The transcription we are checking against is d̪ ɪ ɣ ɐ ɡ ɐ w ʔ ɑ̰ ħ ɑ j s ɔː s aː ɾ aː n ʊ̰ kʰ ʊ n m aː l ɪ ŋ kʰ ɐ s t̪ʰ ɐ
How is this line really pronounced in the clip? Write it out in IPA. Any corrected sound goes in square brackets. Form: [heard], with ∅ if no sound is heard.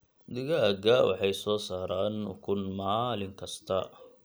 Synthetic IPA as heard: d̪ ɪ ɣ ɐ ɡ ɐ w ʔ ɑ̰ ħ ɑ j s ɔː s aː ɾ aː n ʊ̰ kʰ ʊ n m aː l ɪ ŋ kʰ ɐ s t̪ʰ ɐ